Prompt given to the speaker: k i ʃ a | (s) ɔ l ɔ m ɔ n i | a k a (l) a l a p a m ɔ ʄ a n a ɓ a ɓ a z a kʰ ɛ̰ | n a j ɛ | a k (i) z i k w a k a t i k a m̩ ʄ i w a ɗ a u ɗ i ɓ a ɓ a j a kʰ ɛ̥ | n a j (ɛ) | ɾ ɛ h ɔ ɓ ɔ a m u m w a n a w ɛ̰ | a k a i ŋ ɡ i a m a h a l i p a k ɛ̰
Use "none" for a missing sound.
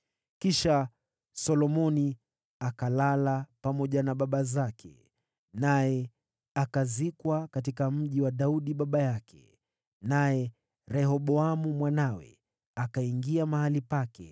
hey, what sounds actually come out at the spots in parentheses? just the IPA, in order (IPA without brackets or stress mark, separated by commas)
s, l, a, ɛ